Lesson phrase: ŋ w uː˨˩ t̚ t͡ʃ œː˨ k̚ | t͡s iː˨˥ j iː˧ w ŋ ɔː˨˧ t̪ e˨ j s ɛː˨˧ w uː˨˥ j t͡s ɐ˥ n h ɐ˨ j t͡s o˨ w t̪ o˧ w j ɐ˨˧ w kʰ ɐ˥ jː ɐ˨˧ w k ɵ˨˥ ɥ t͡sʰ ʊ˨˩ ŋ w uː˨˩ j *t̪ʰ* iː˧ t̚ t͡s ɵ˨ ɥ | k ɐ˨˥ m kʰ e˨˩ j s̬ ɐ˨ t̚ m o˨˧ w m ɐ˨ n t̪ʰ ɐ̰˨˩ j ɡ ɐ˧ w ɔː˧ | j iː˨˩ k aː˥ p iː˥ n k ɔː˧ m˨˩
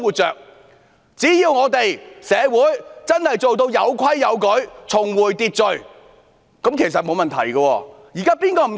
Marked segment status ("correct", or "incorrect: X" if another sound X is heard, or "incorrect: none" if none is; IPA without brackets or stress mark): incorrect: t̪